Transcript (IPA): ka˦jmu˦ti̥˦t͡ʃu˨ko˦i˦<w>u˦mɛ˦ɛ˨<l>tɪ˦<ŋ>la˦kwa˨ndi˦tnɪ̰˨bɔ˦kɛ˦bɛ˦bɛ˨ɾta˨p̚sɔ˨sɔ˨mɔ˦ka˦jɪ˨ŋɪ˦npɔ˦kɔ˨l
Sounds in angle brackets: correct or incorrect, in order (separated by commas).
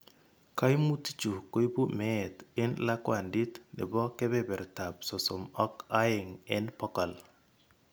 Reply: incorrect, incorrect, incorrect